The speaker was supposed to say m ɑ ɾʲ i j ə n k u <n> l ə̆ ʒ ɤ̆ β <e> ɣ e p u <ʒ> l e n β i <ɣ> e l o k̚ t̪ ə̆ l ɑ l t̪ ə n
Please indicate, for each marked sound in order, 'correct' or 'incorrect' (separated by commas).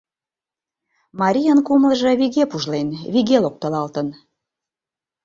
incorrect, incorrect, correct, correct